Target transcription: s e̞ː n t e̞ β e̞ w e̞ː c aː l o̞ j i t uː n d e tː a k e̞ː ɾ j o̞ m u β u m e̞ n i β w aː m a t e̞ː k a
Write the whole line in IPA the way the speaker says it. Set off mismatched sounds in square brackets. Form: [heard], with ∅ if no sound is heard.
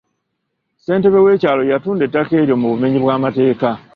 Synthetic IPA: s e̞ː n t e̞ β e̞ w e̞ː c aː l o̞ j [a] t uː n d e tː a k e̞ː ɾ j o̞ m u β u m e̞ [ɲ] i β w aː m a t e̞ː k a